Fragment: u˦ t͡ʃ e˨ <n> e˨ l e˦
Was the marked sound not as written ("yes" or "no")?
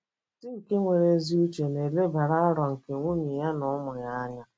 no